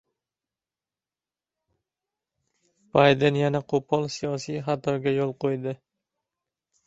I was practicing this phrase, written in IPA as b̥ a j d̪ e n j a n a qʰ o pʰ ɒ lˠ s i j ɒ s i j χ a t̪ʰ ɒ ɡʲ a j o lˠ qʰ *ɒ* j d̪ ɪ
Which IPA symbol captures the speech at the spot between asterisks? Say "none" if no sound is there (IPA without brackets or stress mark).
o